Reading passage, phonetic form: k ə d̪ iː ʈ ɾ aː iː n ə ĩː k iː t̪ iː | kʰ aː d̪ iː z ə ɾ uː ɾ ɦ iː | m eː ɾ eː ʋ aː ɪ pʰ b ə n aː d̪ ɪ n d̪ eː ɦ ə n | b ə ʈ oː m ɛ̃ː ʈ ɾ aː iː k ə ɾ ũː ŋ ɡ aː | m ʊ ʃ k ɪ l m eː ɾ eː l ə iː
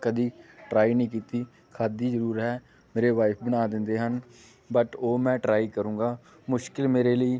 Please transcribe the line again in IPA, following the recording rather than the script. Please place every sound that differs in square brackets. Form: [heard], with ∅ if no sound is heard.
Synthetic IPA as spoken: k ə d̪ iː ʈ ɾ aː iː n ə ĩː k iː t̪ iː | kʰ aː d̪ iː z ə ɾ uː ɾ ɦ [ɛː] | m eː ɾ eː ʋ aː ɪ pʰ b ə n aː d̪ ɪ n d̪ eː ɦ ə n | b ə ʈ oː m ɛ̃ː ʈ ɾ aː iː k ə ɾ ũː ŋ ɡ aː | m ʊ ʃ k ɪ l m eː ɾ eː l ə iː